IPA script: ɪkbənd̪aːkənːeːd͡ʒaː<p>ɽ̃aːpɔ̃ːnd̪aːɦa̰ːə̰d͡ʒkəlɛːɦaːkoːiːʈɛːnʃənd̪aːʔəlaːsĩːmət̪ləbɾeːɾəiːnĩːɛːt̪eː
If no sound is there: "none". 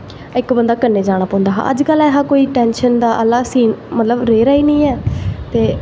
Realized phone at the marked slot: none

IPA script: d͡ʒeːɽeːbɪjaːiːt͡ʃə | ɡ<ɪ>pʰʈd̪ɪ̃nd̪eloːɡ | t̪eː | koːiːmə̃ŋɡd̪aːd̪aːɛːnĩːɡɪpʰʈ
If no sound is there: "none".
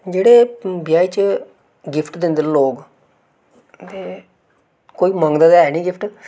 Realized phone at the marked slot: ɪ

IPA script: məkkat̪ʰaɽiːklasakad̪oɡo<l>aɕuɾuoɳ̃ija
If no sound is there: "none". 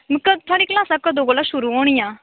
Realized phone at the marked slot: l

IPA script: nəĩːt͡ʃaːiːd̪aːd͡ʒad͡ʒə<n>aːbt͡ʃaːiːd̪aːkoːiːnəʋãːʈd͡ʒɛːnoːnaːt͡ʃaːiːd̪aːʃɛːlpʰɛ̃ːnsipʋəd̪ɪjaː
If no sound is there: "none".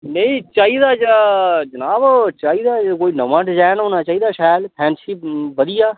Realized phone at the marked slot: n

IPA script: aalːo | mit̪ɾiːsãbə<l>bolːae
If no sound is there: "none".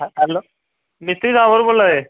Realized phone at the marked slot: ɾ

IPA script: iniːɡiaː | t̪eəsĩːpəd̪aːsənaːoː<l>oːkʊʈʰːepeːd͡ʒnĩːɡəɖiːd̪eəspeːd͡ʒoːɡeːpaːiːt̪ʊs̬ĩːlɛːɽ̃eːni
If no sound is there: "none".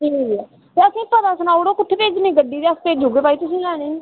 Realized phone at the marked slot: ɽ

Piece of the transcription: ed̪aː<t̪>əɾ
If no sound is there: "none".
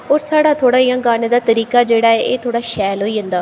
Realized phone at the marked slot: t̪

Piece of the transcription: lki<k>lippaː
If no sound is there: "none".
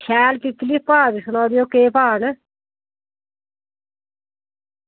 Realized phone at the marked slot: k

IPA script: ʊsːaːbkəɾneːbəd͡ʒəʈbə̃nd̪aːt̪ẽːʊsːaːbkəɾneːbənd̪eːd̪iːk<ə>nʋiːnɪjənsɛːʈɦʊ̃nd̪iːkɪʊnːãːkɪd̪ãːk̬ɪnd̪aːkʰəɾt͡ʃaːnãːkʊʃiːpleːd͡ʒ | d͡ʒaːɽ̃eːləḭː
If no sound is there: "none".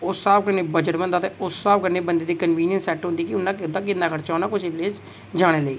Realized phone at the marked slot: ə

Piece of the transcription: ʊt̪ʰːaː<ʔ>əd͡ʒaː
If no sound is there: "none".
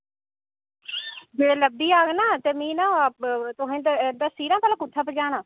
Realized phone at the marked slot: p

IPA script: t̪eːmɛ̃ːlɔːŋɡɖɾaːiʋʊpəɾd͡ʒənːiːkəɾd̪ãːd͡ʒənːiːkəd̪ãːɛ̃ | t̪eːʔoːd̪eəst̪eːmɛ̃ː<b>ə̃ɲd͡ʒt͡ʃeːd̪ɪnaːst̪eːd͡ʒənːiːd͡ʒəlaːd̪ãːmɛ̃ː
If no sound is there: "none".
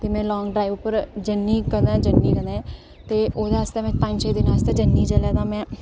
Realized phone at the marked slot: p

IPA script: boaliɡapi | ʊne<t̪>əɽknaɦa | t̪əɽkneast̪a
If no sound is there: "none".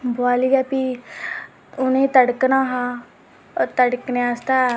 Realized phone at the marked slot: t̪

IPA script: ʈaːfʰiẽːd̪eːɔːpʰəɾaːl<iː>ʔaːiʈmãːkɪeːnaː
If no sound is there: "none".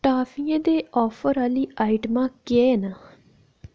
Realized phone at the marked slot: iː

